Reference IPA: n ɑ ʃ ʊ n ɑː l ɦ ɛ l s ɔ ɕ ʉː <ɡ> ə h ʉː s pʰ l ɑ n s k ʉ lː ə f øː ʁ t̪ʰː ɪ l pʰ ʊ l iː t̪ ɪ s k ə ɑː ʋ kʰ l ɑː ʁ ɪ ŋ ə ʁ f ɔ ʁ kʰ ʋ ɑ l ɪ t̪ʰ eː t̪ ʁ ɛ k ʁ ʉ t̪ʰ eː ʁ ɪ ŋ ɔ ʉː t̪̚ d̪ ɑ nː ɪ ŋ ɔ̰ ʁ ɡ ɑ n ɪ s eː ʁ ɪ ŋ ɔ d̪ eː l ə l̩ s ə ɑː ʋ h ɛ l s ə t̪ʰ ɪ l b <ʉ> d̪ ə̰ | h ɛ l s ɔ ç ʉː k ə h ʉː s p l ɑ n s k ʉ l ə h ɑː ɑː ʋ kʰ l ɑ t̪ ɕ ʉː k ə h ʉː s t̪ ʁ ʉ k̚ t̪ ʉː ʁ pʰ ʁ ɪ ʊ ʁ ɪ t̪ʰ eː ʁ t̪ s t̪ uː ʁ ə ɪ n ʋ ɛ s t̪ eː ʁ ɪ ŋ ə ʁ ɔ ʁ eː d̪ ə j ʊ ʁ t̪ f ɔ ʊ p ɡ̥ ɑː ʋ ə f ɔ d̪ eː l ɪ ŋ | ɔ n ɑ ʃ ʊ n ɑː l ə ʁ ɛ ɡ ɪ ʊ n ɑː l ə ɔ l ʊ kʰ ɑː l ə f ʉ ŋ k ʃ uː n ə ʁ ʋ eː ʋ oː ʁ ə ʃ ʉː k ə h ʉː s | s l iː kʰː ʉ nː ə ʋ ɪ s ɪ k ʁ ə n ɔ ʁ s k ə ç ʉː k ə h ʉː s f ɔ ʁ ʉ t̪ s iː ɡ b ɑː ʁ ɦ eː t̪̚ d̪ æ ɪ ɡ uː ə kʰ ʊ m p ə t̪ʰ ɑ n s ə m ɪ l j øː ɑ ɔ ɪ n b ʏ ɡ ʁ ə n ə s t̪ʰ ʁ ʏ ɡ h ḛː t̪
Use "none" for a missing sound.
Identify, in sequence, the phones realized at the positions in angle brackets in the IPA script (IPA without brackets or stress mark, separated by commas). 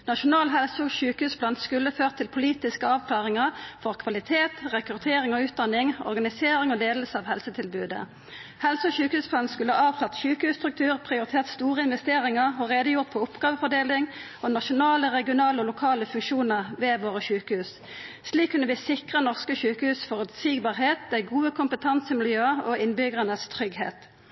k, ʉː